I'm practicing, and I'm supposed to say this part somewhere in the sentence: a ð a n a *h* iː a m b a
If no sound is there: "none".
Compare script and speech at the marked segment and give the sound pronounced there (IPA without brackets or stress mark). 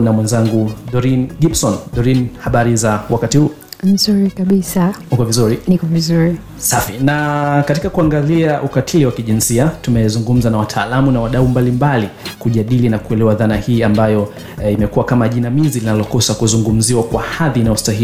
h